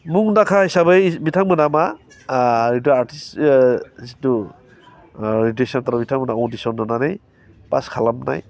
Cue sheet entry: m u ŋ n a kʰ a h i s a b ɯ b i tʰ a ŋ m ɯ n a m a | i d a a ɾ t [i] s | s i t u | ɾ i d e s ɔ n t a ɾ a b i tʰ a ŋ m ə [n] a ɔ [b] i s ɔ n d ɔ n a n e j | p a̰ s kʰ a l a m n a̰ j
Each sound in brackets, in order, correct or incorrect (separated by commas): correct, correct, incorrect